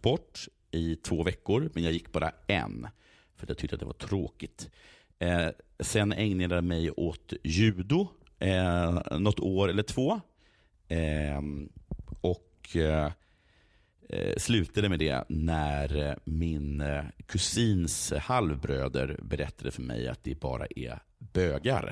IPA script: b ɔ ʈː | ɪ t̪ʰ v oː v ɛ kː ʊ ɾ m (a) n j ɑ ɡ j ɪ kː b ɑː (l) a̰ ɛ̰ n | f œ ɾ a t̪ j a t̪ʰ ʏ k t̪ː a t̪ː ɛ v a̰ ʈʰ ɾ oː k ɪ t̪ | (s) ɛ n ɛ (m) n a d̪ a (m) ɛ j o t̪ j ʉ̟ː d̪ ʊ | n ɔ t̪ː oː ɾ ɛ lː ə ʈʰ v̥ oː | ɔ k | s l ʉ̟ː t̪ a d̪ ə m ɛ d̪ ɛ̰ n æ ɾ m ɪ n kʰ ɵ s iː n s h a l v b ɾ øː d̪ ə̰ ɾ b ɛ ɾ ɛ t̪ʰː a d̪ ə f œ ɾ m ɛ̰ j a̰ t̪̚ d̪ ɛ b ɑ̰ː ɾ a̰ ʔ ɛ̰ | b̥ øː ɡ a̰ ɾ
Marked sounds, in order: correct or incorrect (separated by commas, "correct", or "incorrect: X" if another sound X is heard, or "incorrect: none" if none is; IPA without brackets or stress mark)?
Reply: incorrect: ɛ, incorrect: ɾ, correct, incorrect: ŋ, correct